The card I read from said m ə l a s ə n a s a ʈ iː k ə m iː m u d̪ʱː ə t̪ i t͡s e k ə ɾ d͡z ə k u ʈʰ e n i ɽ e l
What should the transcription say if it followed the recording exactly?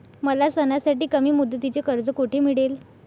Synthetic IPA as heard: m ə l a s ə n a s a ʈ iː k ə m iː m u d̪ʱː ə t̪ i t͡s e k ə ɾ d͡z ə k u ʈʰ e m i ɽ e l

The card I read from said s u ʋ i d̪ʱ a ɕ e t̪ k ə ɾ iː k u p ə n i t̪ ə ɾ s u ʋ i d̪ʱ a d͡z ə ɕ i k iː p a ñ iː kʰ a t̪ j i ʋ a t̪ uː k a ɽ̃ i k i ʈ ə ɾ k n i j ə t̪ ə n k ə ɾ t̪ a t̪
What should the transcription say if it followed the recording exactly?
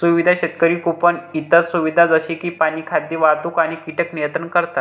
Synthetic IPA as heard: s u ʋ i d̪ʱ a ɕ e t̪ k ə ɾ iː k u p ə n i t̪ ə ɾ s u ʋ i d̪ʱ a d͡z ə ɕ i k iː p a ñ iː kʰ a d̪ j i ʋ a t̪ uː k a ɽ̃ i k i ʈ ə k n i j ə t̪ ə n k ə ɾ t̪ a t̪

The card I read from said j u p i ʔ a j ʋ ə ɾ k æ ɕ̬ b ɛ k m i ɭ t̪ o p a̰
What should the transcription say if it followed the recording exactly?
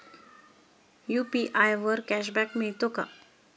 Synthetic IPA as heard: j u p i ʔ a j ʋ ə ɾ k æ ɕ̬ b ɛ k m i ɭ t̪ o k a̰

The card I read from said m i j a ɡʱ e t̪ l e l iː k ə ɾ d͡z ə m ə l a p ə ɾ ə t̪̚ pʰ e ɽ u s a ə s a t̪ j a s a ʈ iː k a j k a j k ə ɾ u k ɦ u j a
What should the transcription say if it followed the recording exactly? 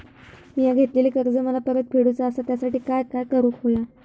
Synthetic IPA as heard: m i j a ɡʱ e t̪ l e l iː k ə ɾ d͡z ə m ə l a p ə ɾ ə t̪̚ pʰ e ɽ u t͡s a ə s a t̪ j a s a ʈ iː k a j k a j k ə ɾ u k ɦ o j a

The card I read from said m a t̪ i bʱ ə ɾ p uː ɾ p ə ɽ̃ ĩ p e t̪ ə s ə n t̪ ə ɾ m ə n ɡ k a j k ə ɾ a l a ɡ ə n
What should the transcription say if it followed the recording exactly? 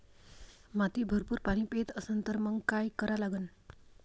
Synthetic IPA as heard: m a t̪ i bʱ ə ɾ p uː ɾ p a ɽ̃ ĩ p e t̪ ə s ə n t̪ ə ɾ m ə ŋ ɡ k a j k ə ɾ a l a ɡ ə n

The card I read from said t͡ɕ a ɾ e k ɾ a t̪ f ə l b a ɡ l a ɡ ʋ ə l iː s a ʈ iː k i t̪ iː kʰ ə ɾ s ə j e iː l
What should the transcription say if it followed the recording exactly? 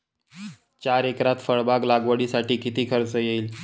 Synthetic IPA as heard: t͡ɕ a ɾ e k ɾ a t̪ f ə ɭ b a ɡ l a ɡ ʋ ə ɽ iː s a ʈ iː k i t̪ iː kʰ ə ɾ t͡s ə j e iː l

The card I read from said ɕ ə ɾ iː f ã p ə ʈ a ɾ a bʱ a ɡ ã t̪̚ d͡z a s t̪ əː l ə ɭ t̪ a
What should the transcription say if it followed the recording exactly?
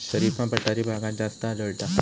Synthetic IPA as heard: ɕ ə ɾ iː f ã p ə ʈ a ɾ i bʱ a ɡ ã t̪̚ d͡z a s t̪ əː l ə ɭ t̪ a

